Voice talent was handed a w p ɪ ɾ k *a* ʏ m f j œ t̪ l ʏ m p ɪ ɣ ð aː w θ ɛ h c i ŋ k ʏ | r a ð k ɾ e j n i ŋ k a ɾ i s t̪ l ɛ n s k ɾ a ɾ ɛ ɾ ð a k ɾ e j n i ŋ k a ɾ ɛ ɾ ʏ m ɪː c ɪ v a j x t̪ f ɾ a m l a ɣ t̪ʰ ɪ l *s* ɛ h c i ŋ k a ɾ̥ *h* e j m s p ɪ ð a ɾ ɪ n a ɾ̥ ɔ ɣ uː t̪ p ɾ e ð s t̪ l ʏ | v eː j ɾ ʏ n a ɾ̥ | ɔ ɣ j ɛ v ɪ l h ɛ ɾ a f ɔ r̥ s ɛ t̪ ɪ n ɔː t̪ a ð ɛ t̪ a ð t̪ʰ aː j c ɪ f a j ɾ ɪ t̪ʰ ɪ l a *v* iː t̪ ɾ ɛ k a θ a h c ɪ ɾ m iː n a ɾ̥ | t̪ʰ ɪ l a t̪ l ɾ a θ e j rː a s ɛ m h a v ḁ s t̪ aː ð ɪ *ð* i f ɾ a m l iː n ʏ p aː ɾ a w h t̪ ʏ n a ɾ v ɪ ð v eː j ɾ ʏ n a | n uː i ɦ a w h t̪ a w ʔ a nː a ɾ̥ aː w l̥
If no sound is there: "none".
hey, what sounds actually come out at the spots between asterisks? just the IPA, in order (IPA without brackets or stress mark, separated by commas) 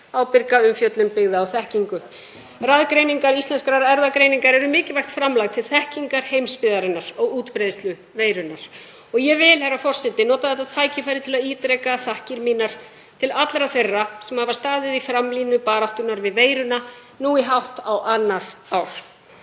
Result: a, θ, h, ð, ð